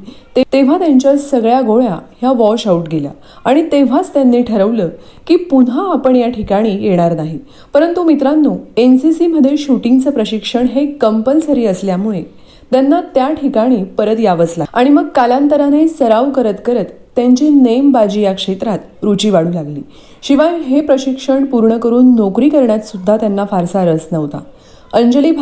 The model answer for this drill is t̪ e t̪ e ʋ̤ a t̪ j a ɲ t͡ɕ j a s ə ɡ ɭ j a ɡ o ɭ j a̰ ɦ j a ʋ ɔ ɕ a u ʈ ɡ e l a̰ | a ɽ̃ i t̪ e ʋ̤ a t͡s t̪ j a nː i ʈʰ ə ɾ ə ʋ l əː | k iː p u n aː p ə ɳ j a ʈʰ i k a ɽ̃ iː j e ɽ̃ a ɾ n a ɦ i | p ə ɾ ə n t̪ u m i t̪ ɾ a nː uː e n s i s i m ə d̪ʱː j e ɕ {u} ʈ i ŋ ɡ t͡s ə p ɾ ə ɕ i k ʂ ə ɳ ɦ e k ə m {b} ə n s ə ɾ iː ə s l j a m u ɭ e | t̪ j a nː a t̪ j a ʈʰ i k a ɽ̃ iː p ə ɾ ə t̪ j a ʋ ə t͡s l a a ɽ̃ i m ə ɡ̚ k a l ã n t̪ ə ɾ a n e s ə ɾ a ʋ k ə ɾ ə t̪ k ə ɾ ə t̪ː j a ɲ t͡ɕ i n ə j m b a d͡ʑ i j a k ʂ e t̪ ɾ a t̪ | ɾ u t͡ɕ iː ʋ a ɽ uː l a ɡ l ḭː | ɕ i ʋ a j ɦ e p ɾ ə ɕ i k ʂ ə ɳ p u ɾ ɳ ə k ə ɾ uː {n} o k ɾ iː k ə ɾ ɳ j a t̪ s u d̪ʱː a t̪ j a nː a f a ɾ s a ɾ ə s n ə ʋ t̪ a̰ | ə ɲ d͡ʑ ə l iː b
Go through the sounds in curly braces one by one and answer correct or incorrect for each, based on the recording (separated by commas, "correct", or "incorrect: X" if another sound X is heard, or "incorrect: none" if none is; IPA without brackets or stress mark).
correct, incorrect: p, incorrect: nː